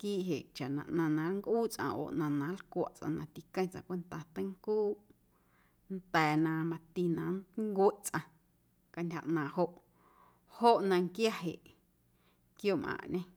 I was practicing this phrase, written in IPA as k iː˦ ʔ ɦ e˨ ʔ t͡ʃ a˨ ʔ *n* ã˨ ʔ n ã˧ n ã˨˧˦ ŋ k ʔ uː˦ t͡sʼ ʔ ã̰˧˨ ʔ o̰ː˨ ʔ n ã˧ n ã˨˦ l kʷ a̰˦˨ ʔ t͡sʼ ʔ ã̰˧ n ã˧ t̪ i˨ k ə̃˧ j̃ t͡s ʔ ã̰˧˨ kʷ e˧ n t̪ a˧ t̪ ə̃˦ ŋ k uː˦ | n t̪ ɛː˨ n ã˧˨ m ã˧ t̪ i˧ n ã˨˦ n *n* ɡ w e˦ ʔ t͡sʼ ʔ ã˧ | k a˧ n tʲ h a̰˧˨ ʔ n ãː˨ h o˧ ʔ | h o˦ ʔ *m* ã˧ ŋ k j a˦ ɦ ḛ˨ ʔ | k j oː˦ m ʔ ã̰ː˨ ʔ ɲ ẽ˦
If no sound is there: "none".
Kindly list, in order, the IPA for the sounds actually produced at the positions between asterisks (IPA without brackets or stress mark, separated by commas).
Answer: n, ŋ, n